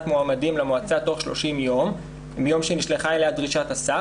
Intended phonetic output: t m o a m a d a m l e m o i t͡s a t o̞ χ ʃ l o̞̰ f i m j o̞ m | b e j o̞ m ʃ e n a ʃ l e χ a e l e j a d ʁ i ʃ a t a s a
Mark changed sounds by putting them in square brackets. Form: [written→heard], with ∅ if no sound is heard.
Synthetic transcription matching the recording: t m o a m a d [a→i] m l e m o [i→a] t͡s a t o̞ χ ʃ l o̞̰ [f→ʃ] i m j o̞ m | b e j o̞ m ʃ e n [a→i] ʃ l e χ a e l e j a d ʁ i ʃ a t a s a